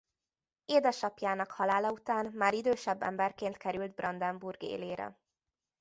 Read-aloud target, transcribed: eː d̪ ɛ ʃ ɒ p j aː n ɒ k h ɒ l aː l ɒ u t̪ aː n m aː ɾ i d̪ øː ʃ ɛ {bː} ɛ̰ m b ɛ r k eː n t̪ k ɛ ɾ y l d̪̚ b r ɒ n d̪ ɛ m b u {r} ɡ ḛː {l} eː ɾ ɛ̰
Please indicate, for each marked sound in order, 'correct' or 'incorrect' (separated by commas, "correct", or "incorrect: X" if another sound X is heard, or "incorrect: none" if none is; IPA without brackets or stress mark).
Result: correct, correct, correct